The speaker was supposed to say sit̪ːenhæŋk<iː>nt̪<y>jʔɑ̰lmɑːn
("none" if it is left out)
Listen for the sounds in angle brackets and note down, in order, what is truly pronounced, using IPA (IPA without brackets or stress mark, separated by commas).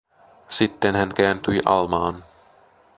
æː, y